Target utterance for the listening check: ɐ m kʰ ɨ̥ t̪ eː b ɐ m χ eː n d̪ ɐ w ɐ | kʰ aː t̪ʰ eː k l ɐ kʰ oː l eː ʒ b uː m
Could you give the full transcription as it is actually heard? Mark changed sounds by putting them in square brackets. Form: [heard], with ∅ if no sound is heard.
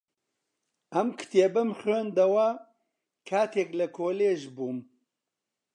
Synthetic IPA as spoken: ɐ m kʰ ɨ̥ t̪ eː b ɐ m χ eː n d̪ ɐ w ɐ | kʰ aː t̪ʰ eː k l ɐ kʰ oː l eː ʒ b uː m